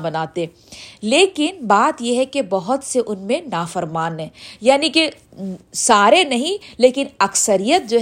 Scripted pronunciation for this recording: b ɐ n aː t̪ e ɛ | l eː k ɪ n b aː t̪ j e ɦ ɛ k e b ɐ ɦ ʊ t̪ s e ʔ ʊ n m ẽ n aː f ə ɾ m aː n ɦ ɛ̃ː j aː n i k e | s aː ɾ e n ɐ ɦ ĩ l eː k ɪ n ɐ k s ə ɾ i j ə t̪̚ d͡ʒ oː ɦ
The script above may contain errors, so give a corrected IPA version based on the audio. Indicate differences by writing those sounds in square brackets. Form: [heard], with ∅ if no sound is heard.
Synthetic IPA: b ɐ n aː t̪ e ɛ | l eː k ɪ n b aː t̪ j e ɦ ɛ k e b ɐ ɦ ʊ t̪ s e ʔ ʊ n m ẽ n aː f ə ɾ m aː n ɦ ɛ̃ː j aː n i k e | s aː ɾ e n ɐ ɦ ĩ l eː k ɪ n ɐ k s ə ɾ i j ə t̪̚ d͡ʒ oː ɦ